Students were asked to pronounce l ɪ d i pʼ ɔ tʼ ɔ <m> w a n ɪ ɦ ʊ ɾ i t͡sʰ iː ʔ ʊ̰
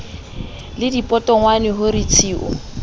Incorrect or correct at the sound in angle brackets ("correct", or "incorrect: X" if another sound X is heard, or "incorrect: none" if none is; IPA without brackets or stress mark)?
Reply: incorrect: ŋ